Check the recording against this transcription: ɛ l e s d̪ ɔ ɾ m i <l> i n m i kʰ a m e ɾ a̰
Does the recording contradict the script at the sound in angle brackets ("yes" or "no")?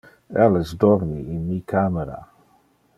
yes